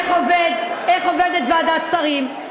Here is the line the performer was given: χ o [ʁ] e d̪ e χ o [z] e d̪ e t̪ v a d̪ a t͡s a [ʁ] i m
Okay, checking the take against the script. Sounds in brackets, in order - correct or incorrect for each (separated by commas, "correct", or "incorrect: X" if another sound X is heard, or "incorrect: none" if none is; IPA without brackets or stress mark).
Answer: incorrect: v, incorrect: v, correct